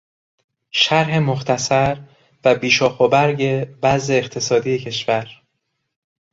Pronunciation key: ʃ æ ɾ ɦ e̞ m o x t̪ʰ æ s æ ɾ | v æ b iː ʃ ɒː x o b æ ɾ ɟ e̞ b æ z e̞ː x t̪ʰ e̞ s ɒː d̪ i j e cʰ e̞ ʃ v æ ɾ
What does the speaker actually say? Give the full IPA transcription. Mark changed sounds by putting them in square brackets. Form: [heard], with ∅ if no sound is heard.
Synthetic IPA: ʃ æ ɾ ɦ e̞ m o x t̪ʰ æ s æ ɾ | v æ b iː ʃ ɒː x o b æ ɾ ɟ e̞ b æ z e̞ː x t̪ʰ e̞ s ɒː d̪ i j e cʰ e̞ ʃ v æ ɾ